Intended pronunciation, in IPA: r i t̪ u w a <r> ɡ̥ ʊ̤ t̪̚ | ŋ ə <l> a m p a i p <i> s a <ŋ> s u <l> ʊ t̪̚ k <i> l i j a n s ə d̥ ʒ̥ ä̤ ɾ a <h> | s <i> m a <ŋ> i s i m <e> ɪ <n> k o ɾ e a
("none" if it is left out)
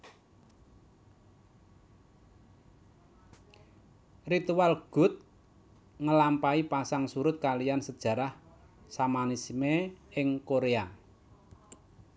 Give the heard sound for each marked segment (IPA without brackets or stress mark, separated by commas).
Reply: l, l, a, ŋ, ɾ, a, h, a, n, e, ŋ